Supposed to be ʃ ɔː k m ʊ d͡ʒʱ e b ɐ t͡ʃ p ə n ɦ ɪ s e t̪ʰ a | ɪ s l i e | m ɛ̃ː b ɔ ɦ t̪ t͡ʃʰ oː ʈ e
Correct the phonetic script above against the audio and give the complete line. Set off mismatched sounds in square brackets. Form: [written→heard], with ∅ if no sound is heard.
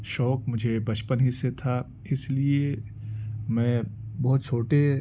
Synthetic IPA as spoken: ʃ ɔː k m ʊ d͡ʒʱ e b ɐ t͡ʃ p ə n ɦ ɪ s e t̪ʰ a | ɪ s l i e | m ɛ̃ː b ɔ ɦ t̪ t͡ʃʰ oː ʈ e